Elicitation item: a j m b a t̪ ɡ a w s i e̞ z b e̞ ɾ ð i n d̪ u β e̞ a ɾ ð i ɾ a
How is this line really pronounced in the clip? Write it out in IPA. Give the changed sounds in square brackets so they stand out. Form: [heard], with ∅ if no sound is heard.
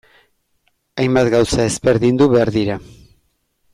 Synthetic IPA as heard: a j m b a t̪ ɡ a w s [a] e̞ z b e̞ ɾ ð i n d̪ u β e̞ a ɾ ð i ɾ a